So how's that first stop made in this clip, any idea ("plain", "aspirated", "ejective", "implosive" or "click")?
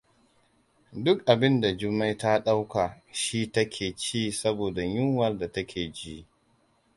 plain